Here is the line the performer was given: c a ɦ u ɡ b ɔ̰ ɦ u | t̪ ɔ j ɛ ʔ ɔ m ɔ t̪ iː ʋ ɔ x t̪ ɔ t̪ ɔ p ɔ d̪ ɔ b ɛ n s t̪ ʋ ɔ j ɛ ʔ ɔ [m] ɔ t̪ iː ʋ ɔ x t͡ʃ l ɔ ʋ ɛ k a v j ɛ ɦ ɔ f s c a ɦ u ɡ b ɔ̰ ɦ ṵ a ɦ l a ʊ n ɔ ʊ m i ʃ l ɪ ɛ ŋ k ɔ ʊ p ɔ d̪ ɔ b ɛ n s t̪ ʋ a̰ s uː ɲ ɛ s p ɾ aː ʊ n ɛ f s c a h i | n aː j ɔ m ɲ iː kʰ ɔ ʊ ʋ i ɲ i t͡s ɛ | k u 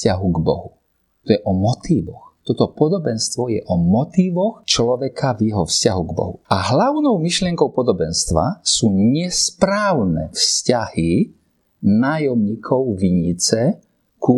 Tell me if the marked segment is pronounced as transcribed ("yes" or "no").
yes